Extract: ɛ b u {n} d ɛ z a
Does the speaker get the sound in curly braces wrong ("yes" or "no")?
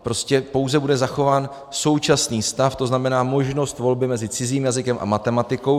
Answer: yes